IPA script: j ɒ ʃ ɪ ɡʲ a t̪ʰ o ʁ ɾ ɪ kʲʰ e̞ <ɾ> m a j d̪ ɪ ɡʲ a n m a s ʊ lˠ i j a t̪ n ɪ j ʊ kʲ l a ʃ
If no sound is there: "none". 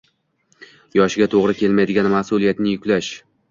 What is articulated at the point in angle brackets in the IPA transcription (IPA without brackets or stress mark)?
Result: l